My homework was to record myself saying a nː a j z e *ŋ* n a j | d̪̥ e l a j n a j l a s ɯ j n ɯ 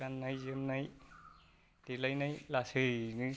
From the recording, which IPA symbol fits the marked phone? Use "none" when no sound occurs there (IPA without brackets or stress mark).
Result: m